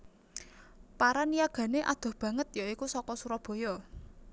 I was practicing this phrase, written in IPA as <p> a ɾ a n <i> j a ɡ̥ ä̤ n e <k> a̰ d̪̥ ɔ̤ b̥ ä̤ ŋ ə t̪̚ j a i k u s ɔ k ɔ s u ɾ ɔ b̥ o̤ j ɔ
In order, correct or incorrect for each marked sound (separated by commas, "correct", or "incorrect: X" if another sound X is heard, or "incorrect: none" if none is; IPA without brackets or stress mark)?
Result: correct, correct, incorrect: ʔ